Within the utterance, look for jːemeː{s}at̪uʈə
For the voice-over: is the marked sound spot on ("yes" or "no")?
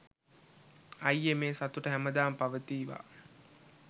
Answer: yes